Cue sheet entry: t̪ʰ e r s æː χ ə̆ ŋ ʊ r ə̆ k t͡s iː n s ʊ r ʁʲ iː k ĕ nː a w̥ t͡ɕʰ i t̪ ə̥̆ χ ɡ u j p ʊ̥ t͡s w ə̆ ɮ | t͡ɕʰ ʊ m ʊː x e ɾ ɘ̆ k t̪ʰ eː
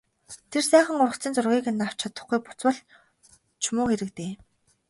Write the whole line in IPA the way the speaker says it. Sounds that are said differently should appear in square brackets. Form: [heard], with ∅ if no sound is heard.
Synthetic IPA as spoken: t̪ʰ e r s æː χ ə̆ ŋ ʊ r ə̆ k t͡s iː n [t͡s] ʊ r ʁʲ iː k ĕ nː a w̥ t͡ɕʰ [a] t̪ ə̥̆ χ ɡ u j p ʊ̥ t͡s w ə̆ ɮ | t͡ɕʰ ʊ m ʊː x e ɾ ɘ̆ k [t̪] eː